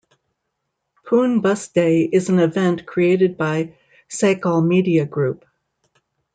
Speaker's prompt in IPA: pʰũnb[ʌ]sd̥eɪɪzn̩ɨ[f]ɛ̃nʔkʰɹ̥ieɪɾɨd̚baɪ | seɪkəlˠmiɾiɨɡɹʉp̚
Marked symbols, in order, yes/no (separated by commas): yes, no